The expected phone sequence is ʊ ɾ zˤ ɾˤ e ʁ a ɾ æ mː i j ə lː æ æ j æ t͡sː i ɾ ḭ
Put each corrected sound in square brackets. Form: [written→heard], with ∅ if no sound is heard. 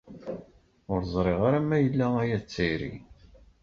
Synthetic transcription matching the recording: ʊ ɾ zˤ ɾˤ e ʁ a ɾ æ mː [i→æ] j ə lː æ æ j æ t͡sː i ɾ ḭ